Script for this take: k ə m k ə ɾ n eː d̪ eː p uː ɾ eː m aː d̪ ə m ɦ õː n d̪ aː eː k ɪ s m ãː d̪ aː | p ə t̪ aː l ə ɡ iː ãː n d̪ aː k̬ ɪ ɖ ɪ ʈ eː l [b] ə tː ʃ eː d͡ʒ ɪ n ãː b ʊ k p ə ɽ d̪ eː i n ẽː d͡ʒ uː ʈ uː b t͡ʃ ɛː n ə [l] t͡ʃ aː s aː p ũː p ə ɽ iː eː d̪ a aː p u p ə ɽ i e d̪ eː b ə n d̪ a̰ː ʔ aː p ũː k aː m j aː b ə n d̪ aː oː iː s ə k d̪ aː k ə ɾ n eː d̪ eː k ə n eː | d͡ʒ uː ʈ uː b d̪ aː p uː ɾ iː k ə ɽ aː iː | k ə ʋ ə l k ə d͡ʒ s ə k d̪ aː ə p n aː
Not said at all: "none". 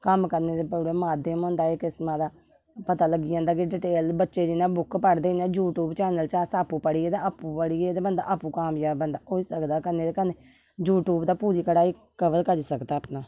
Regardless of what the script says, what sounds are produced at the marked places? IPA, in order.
b, l

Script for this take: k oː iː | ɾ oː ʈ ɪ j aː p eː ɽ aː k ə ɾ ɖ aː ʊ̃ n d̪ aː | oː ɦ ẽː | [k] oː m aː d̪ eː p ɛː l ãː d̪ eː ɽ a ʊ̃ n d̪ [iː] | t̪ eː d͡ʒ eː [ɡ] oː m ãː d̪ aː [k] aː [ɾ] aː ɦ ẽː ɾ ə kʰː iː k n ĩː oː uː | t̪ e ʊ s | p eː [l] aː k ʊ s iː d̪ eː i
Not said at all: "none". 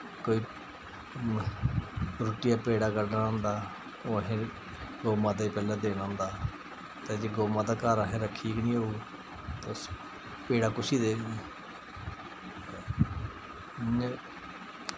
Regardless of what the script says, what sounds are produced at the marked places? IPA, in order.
ɡ, aː, ɡ, k, ɾ, ɽ

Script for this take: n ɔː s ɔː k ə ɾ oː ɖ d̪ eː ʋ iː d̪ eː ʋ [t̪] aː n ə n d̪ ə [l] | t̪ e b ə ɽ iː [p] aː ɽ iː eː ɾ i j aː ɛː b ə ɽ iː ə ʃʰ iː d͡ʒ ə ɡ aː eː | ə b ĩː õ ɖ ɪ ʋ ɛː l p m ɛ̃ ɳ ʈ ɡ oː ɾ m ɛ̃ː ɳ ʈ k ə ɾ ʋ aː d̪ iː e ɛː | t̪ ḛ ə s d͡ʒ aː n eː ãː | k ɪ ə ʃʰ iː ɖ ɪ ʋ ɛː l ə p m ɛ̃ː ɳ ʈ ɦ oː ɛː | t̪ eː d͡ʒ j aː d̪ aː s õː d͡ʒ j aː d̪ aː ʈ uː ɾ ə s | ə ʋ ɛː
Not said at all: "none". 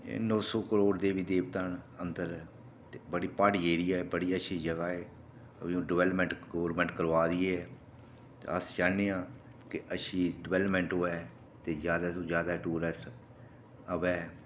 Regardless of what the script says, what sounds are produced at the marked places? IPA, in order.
t̪, ɾ, p

